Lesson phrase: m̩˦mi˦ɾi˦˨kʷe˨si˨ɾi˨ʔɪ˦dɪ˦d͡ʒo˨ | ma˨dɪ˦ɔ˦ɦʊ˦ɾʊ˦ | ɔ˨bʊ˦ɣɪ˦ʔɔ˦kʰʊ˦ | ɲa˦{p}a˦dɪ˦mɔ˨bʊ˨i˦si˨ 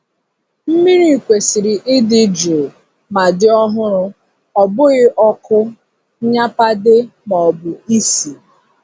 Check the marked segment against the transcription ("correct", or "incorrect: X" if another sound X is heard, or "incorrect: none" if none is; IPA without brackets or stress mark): correct